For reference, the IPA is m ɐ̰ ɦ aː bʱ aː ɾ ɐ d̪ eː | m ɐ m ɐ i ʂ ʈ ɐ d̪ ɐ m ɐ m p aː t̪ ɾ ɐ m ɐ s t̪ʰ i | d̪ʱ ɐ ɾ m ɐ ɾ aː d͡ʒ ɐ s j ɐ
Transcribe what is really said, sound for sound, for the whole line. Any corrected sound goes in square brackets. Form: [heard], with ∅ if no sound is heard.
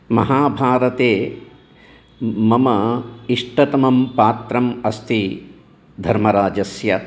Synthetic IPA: m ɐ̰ ɦ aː bʱ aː ɾ ɐ [t̪] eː | m ɐ m ɐ i ʂ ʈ ɐ [t̪] ɐ m ɐ m p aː t̪ ɾ ɐ m ɐ s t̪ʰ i | d̪ʱ ɐ ɾ m ɐ ɾ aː d͡ʒ ɐ s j ɐ